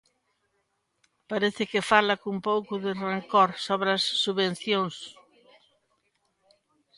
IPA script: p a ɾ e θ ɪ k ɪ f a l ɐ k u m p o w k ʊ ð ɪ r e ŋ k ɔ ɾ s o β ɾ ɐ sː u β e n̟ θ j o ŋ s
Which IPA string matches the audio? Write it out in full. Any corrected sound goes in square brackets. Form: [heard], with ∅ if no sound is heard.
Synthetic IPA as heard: p a ɾ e θ ɪ k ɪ f a l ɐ k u m p o w k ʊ ð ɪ r e ŋ k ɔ ɾ s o β ɾ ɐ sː u β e n̟ θ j o ŋ s